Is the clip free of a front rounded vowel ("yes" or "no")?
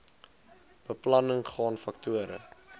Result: yes